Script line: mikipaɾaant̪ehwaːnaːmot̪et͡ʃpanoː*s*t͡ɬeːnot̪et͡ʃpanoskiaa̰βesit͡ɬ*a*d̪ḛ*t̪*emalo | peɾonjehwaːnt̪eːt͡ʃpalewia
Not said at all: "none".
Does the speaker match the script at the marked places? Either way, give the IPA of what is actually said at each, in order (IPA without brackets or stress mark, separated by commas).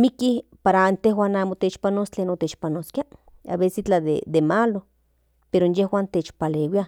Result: s, a, d̪